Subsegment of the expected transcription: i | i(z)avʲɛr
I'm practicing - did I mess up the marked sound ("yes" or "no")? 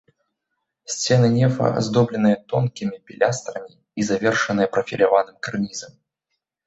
no